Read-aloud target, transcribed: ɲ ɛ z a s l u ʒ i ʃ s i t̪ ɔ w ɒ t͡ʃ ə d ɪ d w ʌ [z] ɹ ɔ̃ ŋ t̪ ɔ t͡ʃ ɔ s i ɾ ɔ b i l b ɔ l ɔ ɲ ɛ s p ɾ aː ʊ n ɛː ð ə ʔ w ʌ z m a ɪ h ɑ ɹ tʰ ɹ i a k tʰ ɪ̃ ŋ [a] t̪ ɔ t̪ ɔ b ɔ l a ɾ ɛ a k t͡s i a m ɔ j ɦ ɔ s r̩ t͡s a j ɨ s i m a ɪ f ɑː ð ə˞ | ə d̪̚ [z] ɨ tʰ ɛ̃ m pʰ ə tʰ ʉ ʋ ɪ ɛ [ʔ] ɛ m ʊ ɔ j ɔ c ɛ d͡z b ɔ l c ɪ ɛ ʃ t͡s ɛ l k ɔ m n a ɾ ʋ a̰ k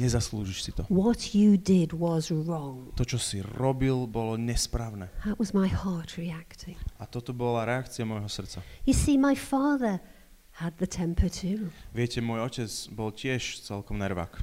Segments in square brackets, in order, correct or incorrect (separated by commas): correct, correct, incorrect, incorrect